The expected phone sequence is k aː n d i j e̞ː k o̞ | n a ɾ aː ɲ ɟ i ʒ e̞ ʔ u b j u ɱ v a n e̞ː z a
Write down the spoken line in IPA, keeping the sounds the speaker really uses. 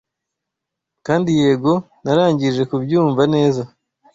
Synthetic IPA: k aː n d i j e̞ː ɡ o̞ | n a ɾ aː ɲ ɟ i ʒ e̞ k u b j uː ɱ v a n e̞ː z a